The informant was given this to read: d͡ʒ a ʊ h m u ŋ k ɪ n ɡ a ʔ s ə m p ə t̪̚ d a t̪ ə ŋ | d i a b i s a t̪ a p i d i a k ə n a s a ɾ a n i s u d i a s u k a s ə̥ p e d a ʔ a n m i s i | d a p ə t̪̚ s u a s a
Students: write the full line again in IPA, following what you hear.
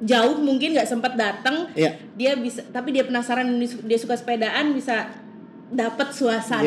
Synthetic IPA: d͡ʒ a ʊ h m u ŋ k ɪ n ɡ a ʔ s ə m p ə t̪̚ d a t̪ ə ŋ | d i a b i s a t̪ a p i d i a p ə n a s a ɾ a n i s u d i a s u k a s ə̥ p e d a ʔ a n b i s a | d a p ə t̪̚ s u a s a